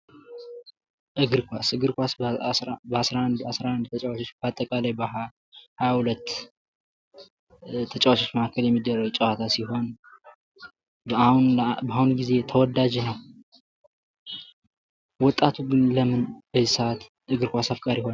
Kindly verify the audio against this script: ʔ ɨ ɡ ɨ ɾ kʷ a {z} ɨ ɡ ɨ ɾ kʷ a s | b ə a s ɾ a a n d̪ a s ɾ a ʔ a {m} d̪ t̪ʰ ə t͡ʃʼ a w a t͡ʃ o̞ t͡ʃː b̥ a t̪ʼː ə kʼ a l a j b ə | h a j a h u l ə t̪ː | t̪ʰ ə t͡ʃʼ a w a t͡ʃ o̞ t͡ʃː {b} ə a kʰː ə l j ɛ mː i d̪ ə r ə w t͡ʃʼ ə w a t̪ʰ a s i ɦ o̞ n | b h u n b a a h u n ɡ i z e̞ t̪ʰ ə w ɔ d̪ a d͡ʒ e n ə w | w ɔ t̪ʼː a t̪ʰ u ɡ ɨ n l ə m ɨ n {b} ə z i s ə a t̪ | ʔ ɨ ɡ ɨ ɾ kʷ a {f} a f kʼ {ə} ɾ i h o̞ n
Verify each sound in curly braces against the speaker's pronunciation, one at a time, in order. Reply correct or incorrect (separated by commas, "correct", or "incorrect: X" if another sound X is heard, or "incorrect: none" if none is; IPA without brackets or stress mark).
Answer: incorrect: s, incorrect: n, incorrect: m, correct, incorrect: s, incorrect: a